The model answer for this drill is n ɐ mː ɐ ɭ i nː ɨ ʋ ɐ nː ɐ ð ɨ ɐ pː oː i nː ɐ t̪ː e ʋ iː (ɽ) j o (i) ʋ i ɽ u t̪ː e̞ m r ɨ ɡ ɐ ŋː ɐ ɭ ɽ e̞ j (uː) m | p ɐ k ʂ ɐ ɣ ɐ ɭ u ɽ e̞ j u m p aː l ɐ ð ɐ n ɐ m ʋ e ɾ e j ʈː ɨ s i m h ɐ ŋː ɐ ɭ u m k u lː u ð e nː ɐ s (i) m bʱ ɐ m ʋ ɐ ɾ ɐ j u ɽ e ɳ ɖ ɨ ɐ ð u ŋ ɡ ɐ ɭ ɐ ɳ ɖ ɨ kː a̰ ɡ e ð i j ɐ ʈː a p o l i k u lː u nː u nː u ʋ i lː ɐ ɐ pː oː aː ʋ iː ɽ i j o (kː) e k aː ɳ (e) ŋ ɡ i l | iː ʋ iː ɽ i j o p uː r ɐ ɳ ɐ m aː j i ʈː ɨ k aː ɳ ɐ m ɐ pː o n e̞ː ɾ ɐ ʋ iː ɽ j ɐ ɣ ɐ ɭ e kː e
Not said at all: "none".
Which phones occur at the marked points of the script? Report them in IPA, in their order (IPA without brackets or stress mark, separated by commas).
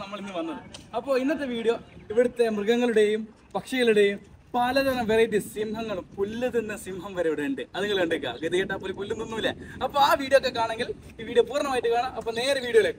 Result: ɽ, i, u, i, kː, e